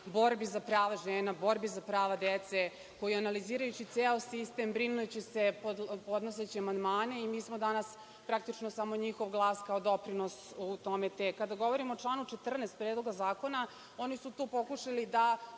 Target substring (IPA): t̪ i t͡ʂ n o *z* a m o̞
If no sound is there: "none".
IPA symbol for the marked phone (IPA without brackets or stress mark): s